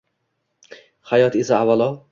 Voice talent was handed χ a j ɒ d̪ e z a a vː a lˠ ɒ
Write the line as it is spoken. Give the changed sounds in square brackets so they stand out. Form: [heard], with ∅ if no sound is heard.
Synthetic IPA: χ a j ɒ [t̪] e [s] a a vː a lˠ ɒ